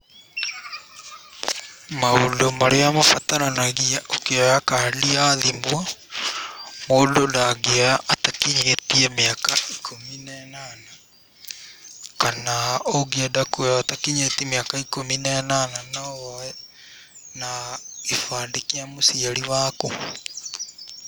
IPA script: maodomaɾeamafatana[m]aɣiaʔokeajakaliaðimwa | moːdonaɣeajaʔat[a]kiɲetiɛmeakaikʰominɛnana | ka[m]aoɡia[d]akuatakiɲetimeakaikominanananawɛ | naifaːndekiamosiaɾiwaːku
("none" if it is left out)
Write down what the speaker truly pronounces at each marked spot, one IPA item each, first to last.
n, a, n, d

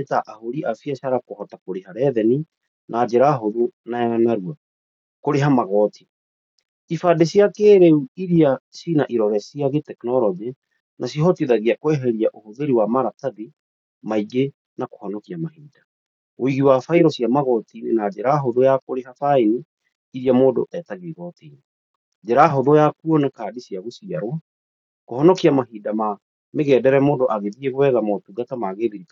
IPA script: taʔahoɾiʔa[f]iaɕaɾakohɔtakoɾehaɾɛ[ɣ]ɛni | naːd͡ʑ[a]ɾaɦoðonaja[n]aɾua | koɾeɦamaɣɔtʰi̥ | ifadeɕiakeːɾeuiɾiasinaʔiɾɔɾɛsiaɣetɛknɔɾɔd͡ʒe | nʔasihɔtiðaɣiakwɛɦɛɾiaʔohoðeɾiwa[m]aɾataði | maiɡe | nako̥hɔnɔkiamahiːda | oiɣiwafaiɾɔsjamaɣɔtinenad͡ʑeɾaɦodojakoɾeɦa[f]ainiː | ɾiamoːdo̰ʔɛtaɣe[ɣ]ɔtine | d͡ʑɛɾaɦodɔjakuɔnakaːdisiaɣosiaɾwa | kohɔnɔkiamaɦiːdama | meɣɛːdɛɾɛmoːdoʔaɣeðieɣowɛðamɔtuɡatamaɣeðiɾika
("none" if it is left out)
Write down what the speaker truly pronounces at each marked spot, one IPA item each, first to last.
f, ð, e, n, m, f, ɣ

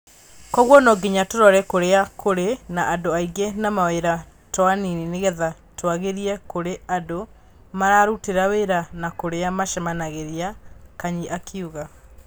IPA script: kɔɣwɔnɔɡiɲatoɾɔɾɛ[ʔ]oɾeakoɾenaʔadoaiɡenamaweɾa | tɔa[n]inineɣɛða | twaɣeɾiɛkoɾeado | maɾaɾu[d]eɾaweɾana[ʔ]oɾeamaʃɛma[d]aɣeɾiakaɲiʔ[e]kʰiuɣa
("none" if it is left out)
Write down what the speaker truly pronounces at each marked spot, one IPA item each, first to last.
k, n, t, k, n, a

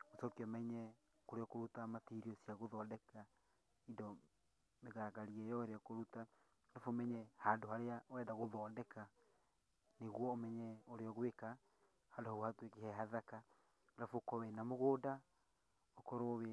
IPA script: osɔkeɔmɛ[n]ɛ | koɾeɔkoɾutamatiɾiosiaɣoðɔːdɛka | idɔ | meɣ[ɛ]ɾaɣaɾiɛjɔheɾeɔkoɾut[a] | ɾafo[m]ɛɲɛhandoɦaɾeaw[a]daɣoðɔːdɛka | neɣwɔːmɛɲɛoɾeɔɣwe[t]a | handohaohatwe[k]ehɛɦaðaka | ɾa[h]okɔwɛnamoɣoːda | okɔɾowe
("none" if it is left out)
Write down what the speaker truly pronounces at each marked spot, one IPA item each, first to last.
ɲ, a, a, m, ɛ, k, k, f

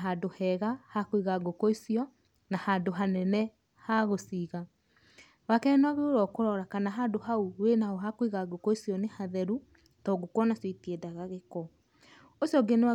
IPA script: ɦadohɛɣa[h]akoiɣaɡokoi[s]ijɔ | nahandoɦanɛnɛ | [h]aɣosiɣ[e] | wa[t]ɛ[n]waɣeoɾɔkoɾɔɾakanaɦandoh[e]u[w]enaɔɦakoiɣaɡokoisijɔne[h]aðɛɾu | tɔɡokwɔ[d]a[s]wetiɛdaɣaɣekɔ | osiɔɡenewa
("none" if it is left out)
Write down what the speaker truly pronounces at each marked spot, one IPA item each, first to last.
h, s, h, a, k, n, a, w, h, n, s

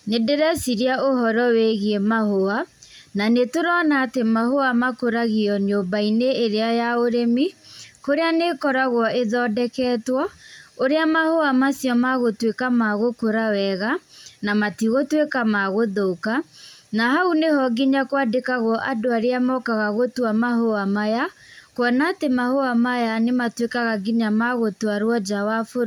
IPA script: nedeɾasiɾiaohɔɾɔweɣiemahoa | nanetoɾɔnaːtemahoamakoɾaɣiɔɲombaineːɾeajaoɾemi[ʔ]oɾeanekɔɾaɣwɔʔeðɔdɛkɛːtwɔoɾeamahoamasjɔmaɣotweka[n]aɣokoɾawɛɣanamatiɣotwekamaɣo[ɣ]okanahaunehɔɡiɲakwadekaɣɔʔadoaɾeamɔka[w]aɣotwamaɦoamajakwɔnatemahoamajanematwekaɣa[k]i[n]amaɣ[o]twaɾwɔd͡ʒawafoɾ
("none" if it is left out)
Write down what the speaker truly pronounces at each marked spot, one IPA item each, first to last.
k, m, ð, ɣ, ɡ, ɲ, o

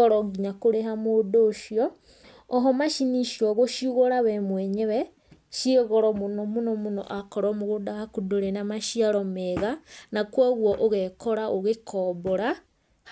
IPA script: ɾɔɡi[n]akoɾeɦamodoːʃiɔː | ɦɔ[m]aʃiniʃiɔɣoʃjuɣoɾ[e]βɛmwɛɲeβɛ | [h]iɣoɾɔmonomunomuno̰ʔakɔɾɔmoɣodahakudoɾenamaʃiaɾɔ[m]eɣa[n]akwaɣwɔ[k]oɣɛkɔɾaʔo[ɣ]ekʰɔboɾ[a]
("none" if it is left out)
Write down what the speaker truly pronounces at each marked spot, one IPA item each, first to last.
ɲ, m, a, ʃ, m, n, ʔ, ɣ, a

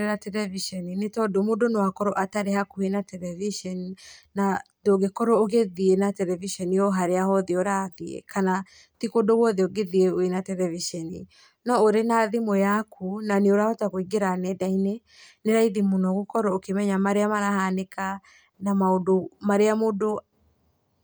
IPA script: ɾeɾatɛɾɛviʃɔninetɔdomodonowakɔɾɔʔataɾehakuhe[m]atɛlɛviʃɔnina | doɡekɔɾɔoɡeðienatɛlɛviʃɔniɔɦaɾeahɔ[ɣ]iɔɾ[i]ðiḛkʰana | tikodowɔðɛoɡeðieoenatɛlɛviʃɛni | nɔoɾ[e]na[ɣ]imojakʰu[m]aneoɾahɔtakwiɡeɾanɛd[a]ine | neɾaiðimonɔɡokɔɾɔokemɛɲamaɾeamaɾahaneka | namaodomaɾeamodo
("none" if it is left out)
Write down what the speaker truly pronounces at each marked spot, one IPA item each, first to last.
n, ð, a, e, ð, n, a

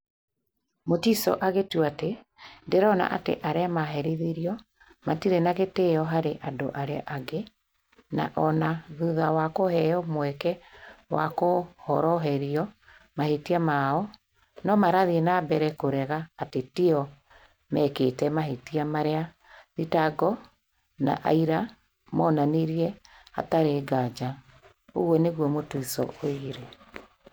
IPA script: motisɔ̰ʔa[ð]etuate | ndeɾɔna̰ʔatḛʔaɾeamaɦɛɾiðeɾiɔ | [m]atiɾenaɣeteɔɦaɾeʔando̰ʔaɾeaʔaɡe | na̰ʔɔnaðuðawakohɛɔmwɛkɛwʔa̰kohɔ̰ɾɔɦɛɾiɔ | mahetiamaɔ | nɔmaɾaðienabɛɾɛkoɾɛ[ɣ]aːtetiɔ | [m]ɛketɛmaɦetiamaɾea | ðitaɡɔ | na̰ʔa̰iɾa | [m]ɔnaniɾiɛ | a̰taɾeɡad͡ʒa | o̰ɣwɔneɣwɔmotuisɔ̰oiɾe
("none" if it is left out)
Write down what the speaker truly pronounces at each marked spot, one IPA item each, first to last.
ɣ, m, ɣ, m, m

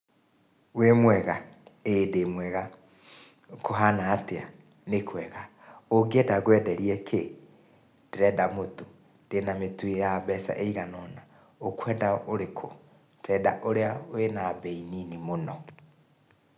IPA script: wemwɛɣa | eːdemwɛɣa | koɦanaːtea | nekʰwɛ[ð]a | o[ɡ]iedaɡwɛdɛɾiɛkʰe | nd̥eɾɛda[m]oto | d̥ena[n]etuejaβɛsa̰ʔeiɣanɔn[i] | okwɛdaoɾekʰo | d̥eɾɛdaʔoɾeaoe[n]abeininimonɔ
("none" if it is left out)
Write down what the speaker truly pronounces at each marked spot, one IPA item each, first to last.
ɣ, ɡ, m, m, a, n

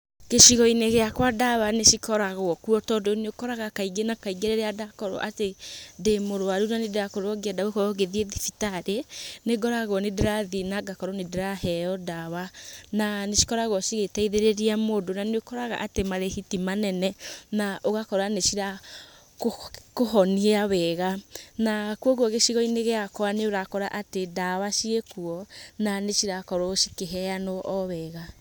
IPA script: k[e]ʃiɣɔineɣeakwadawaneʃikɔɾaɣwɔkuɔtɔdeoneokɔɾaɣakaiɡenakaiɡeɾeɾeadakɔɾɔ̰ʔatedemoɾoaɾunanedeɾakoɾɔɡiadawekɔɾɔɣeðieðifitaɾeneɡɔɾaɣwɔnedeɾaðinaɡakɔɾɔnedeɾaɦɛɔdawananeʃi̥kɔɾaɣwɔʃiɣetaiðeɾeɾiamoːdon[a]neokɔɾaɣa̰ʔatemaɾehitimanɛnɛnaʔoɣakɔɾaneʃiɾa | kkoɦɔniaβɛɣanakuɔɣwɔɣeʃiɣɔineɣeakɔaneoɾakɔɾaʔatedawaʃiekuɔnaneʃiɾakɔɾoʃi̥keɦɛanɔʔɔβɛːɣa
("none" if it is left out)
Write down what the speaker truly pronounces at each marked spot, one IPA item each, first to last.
e, a

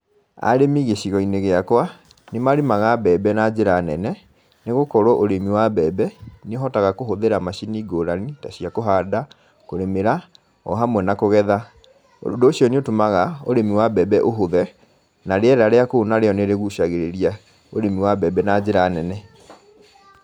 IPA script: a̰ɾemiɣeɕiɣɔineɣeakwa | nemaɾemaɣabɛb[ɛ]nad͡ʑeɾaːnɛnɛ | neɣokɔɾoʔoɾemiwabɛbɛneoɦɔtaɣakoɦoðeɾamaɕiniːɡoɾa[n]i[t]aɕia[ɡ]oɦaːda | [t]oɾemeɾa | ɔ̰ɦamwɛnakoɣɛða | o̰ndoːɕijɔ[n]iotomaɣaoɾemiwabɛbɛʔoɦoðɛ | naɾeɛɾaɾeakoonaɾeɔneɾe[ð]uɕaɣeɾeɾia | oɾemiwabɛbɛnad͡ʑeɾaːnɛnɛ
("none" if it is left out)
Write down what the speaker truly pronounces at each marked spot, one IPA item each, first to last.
ɛ, n, t, k, k, n, ɣ

